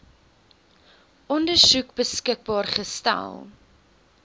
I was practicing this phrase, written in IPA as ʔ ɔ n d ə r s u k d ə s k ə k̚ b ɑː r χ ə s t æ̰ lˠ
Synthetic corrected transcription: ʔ ɔ n d ə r s u k b ə s k ə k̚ b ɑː r χ ə s t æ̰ lˠ